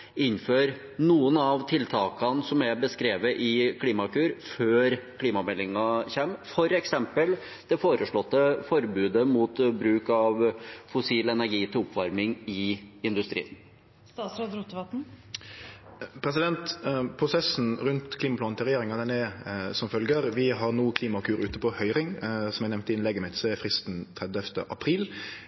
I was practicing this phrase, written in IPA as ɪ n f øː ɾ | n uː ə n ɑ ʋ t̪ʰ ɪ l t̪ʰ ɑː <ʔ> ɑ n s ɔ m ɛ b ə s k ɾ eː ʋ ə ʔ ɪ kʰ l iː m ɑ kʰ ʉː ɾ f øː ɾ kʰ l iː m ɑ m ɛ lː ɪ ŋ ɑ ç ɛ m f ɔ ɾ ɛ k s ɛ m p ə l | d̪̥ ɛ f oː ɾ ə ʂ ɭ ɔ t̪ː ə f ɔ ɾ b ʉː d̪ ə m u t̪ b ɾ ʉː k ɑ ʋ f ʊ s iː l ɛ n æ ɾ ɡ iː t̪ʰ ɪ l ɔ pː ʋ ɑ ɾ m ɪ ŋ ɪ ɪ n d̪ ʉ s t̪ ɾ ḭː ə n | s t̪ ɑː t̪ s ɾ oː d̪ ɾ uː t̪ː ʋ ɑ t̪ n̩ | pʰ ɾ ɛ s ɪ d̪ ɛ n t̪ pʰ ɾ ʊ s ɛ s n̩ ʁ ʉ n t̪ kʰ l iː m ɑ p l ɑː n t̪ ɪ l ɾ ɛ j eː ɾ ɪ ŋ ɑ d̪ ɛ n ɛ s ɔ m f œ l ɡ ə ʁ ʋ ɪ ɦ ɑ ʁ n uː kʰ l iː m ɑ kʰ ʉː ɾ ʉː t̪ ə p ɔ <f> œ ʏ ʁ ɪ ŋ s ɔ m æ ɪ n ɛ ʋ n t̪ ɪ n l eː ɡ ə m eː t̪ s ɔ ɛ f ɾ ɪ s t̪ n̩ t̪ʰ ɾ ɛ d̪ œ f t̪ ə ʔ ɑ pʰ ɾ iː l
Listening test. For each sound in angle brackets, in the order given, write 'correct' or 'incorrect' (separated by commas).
incorrect, incorrect